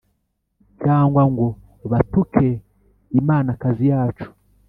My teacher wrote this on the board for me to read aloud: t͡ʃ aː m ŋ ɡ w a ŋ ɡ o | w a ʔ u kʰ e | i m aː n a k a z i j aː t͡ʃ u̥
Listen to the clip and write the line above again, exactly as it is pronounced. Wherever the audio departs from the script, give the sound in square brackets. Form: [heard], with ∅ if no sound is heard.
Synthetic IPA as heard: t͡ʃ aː [∅] ŋ ɡ w a ŋ ɡ o | [β] a [t] u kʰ e | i m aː n a k a z i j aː t͡ʃ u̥